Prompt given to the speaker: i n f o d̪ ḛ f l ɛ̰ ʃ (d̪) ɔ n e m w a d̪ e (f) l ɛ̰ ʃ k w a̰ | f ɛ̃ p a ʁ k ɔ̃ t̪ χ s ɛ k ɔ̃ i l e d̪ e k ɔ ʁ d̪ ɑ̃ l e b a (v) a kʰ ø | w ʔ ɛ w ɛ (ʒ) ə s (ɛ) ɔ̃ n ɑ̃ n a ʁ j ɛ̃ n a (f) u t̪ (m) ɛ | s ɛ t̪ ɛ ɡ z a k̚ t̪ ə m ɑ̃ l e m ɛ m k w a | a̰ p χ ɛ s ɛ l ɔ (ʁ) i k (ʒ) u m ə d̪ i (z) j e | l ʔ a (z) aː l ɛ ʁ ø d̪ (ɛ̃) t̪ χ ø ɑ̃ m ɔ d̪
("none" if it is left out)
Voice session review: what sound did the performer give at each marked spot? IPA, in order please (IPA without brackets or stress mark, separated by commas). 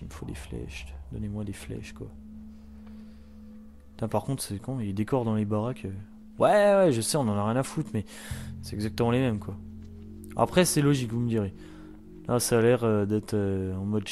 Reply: d̪, f, ʁ, ʒ, ɛ, f, m, ʒ, v, ʁ, s, ɛ